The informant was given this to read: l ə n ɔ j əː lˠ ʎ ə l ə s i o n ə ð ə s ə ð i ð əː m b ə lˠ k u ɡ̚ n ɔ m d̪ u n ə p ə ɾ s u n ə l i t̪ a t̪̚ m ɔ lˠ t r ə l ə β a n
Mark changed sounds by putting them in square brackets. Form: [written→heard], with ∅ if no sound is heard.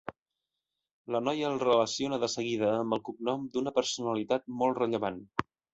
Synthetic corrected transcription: l ə n ɔ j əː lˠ [ʎ→r] ə l ə s i o n ə ð ə s ə [ð→ɣ] i ð əː m b ə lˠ k u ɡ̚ n ɔ m d̪ u n ə p ə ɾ s u n ə l i t̪ a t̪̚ m ɔ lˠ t r ə [l→ʎ] ə β a n